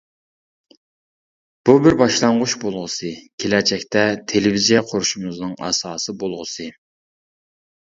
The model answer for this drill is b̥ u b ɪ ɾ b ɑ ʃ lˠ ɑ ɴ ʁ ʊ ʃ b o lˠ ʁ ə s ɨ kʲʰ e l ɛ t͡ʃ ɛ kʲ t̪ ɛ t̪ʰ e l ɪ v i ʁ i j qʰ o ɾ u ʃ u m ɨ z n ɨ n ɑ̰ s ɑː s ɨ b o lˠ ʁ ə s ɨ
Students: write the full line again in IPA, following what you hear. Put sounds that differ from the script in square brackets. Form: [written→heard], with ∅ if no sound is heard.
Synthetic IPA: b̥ u b ɪ ɾ b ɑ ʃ lˠ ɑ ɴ ʁ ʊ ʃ b o lˠ ʁ ə s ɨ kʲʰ e l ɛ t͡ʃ ɛ kʲ t̪ ɛ t̪ʰ e l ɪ v i [ʁ→z] i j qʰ o ɾ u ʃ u m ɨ z n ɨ [n→ŋ] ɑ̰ s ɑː s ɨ b o lˠ ʁ ə s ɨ